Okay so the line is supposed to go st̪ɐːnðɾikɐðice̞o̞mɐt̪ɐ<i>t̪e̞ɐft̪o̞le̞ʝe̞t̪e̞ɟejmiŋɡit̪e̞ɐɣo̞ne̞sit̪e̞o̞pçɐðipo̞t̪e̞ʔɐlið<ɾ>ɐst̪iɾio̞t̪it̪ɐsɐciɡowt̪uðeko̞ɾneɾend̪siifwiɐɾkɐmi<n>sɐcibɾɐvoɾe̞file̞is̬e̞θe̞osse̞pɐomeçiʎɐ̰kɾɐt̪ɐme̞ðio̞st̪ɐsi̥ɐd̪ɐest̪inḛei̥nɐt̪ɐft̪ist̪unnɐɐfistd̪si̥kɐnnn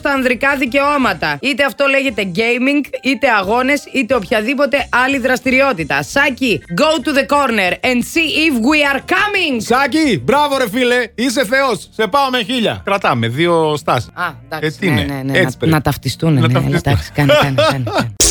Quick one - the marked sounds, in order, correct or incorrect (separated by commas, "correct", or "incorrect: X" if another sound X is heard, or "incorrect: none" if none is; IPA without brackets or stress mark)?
correct, correct, incorrect: ŋ